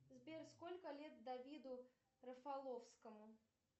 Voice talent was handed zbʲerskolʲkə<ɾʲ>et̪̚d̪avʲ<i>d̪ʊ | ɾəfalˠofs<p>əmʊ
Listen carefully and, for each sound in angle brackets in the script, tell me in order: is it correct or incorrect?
incorrect: lʲ, correct, incorrect: k

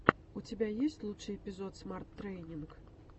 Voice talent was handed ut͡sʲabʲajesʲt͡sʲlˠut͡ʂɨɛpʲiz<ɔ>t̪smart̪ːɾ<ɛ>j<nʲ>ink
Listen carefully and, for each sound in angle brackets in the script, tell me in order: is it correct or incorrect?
correct, correct, correct

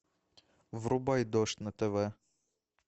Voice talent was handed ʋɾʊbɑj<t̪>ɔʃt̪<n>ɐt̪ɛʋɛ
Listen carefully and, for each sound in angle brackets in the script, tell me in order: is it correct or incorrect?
incorrect: d̪, correct

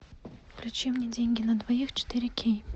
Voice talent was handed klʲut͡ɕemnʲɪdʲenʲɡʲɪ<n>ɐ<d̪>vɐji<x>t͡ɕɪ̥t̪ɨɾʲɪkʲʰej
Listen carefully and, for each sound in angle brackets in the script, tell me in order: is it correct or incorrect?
correct, correct, correct

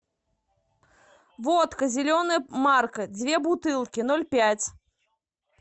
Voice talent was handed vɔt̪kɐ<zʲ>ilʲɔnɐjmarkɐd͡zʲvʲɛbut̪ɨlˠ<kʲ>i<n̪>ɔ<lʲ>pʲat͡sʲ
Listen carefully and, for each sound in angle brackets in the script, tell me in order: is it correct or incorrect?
correct, correct, correct, correct

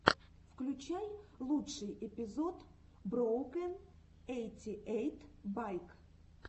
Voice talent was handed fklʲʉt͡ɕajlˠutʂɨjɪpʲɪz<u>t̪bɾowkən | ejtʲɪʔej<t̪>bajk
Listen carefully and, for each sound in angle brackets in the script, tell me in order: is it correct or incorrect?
incorrect: o, correct

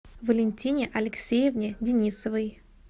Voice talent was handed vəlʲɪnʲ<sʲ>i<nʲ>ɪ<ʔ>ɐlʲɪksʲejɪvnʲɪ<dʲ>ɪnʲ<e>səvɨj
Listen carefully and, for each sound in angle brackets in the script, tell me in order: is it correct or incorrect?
incorrect: tʲ, correct, correct, correct, incorrect: i

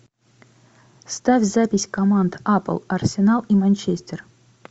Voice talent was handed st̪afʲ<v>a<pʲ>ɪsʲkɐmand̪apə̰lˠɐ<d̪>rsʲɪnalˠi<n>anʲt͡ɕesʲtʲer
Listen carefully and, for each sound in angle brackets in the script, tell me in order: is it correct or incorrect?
incorrect: z, correct, incorrect: none, incorrect: m

